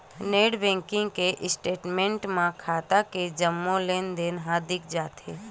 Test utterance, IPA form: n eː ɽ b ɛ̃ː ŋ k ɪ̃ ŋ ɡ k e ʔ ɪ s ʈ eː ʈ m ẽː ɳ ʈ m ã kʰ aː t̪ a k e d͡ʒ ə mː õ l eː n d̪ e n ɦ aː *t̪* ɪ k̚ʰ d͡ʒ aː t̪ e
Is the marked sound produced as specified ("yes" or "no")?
no